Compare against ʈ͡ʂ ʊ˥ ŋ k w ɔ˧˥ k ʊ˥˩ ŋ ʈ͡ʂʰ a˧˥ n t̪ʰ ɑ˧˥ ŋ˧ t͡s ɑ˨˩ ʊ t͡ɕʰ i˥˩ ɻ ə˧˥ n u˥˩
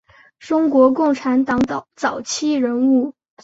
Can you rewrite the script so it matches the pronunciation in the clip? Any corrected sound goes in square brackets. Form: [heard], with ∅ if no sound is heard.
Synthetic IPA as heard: ʈ͡ʂ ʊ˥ ŋ k w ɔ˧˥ k ʊ˥˩ ŋ ʈ͡ʂʰ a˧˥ n [t̪] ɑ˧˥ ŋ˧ t͡s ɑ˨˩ ʊ t͡ɕʰ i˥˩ ɻ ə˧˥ n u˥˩